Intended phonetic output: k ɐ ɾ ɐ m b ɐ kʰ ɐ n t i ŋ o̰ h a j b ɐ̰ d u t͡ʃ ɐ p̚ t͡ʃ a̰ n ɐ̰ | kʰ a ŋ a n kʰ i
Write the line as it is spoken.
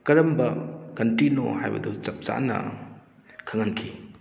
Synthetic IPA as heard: k ɐ ɾ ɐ m b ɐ k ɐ n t i n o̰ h a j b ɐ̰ d u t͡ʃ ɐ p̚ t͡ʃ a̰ n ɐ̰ | kʰ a ŋ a n kʰ i

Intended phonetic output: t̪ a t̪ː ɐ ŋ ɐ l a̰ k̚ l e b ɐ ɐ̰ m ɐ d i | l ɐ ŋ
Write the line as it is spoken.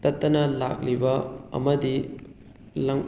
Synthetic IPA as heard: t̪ ɐ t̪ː ɐ n ɐ l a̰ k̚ l i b ɐ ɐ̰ m ɐ d i | l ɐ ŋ

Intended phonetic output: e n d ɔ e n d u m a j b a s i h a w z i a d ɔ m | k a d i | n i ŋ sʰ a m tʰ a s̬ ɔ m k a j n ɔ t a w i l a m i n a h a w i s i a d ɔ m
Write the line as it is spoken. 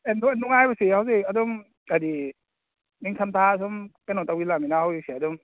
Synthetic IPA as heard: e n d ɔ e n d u ŋ a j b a s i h a w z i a d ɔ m | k a d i | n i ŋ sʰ a m tʰ a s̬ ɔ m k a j n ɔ t a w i l a m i n a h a w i s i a d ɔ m

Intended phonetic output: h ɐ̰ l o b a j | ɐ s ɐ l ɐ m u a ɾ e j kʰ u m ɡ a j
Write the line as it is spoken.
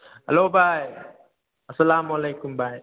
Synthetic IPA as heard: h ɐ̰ l o b a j | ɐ s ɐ l a m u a l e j k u m b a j

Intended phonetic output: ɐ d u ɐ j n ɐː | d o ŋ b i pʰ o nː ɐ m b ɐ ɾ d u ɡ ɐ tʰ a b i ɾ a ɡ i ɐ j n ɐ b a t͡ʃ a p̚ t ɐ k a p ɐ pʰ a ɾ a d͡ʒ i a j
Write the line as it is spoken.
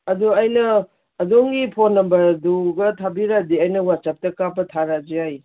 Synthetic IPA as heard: ɐ d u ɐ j n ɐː | d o ŋ ɡ i pʰ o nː ɐ m b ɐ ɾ d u ɡ ɐ tʰ a b i ɾ a d i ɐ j n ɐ w a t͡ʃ a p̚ t ɐ k a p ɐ tʰ a ɾ a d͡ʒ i a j

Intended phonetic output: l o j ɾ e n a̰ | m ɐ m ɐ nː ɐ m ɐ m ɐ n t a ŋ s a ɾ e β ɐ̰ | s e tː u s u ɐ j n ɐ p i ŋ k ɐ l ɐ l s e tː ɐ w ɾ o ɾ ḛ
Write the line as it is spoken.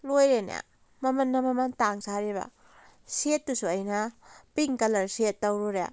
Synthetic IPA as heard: l o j ɾ e n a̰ | m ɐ m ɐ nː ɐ m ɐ m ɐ n t a ŋ s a ɾ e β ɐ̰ | s e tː u s u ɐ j n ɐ p i ŋ k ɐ l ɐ ɾ s e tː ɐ w ɾ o ɾ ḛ

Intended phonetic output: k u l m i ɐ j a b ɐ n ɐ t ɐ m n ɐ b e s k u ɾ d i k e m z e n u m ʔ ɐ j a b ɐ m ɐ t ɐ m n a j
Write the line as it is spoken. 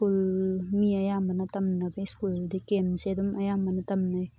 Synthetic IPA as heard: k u l m i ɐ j a m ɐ n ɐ t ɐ m n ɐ b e s k u l d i k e m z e d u m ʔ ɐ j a m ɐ n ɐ t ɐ m n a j

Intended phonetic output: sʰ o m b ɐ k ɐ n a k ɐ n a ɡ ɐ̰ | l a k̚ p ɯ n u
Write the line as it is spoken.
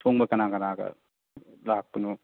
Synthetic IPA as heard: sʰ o ŋ b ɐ k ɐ n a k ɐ n a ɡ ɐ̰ | l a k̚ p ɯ n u

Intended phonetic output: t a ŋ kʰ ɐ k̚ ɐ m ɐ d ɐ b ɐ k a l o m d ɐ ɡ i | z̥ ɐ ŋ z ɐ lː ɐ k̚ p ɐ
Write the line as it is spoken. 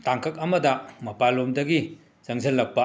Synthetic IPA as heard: t a ŋ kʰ ɐ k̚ ɐ m ɐ d ɐ m ɐ p a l o m d ɐ ɡ i | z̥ ɐ ŋ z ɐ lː ɐ k̚ p ɐ

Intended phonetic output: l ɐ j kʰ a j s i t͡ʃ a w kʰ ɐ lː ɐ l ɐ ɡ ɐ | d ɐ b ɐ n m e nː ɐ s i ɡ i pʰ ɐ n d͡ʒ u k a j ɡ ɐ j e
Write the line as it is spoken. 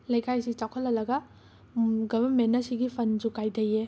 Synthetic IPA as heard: l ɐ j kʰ a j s i t͡ʃ a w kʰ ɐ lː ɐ l ɐ ɡ ɐ | ɡ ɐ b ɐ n m e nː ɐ s i ɡ i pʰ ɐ n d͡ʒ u k a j d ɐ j e

